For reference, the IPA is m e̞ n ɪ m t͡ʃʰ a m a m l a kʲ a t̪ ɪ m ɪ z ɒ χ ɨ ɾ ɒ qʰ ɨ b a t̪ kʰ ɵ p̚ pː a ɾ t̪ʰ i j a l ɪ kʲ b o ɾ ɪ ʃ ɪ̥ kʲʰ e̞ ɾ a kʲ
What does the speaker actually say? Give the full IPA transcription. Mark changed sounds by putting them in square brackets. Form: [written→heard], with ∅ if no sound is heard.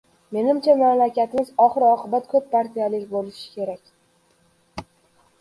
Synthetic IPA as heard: m e̞ n ɪ m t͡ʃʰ a m a m l a kʲ a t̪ ɪ m ɪ z ɒ χ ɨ ɾ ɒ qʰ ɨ b a t̪ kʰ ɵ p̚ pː a ɾ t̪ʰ i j a l ɪ kʲ b o [ɾ→l] ɪ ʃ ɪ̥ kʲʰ e̞ ɾ a kʲ